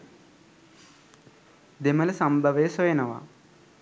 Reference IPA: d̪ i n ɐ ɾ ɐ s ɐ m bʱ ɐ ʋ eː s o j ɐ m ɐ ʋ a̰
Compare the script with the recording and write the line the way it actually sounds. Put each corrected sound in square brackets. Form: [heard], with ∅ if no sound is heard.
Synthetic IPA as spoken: d̪ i [m] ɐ [l] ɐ s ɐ m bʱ ɐ ʋ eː s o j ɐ [n] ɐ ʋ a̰